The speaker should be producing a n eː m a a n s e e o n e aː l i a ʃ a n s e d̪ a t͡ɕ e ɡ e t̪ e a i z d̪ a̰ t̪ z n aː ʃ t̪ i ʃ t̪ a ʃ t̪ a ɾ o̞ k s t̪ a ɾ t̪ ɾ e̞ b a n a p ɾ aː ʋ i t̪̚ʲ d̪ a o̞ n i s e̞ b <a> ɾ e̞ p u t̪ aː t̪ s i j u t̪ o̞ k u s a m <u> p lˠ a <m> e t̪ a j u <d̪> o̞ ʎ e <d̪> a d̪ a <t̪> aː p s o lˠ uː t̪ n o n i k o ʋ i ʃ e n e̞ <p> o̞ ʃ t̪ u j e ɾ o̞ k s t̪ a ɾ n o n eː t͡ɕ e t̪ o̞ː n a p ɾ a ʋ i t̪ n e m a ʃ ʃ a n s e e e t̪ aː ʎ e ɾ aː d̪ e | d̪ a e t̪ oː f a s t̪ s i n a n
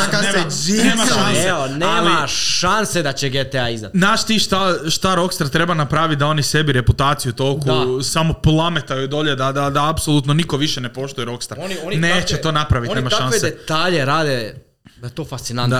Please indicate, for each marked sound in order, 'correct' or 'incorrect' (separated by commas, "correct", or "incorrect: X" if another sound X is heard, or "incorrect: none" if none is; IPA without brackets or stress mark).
incorrect: i, incorrect: o, correct, correct, correct, incorrect: d̪, correct